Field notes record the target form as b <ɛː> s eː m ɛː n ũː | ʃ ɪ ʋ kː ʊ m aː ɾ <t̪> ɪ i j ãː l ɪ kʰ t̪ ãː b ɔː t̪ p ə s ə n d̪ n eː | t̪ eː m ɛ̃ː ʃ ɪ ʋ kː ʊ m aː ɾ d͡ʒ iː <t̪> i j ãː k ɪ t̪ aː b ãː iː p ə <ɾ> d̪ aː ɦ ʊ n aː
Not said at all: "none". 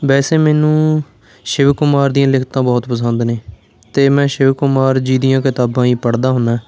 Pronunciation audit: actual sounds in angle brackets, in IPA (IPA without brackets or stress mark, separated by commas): ɛː, d̪, d̪, ɽ